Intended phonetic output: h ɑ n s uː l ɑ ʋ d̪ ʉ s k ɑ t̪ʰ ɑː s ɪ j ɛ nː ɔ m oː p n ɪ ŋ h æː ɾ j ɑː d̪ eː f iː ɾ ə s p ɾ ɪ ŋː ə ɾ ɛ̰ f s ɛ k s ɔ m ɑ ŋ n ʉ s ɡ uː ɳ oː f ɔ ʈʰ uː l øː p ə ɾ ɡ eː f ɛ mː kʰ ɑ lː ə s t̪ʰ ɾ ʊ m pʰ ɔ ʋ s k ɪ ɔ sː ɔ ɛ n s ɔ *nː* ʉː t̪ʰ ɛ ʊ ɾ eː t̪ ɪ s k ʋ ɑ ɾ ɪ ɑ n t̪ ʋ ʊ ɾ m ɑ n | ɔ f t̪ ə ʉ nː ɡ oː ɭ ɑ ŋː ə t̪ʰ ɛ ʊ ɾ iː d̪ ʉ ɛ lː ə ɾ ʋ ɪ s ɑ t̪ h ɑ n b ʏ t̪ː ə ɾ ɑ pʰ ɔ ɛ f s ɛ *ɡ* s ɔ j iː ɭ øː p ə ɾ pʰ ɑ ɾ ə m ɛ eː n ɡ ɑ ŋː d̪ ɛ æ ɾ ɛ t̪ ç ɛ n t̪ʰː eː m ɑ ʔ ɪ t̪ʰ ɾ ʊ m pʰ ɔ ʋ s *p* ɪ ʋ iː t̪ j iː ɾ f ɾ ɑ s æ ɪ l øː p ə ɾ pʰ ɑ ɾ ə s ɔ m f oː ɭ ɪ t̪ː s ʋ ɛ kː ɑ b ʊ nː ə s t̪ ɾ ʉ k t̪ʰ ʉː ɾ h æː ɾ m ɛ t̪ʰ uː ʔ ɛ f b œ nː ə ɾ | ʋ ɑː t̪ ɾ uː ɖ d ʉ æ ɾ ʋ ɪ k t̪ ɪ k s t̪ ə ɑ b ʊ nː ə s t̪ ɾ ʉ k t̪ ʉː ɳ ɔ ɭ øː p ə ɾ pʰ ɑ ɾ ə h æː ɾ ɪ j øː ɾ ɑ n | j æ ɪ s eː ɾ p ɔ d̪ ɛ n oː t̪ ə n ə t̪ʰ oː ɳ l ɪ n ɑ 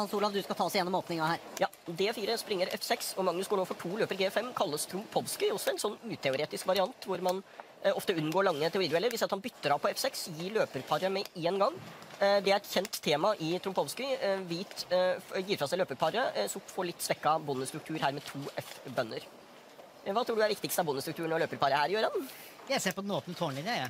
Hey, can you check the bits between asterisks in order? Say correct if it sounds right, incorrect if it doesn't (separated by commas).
correct, incorrect, incorrect